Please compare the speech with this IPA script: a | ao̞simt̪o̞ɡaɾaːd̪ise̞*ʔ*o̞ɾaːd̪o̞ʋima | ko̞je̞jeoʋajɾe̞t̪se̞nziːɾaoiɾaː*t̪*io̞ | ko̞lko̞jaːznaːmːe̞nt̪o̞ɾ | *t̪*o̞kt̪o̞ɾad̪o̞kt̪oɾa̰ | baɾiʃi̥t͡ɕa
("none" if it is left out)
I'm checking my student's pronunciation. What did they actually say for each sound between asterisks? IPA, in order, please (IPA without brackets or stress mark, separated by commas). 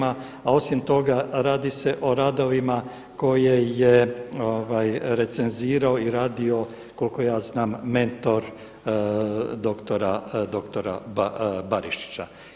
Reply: ʔ, d̪, d̪